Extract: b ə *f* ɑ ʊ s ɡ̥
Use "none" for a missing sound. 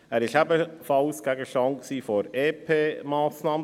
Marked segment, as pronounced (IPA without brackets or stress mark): f